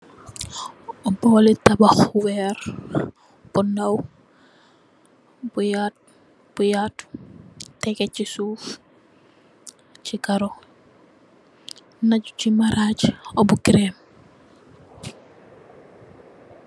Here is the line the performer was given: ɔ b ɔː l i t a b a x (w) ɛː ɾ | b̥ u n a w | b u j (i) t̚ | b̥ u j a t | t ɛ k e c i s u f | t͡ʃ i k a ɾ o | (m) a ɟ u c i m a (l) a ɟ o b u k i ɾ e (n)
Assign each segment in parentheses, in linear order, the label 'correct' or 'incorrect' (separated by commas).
correct, incorrect, incorrect, incorrect, incorrect